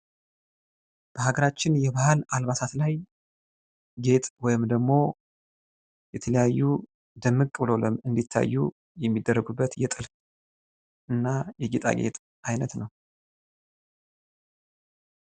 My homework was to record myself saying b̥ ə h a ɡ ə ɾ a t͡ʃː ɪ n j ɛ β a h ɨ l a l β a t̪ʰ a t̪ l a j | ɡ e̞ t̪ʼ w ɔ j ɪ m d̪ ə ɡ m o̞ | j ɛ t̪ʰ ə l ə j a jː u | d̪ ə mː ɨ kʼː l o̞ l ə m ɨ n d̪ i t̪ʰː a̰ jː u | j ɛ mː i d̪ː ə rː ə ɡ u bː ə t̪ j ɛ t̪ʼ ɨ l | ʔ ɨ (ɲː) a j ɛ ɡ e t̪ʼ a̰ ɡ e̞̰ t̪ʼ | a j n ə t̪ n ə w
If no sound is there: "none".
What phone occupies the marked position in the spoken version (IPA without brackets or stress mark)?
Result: nː